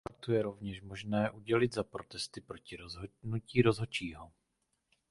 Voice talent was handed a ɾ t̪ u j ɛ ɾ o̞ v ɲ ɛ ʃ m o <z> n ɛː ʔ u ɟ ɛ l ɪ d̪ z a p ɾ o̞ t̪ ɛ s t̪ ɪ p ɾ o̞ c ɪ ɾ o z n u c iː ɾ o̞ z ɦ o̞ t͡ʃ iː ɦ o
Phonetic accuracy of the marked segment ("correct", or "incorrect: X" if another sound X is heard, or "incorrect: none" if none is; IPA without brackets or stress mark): incorrect: ʒ